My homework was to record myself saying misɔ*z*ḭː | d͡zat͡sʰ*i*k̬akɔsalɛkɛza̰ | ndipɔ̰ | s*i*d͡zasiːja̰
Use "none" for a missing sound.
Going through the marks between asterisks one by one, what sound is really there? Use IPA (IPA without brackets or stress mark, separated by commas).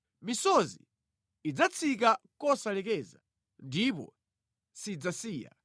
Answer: z, i, i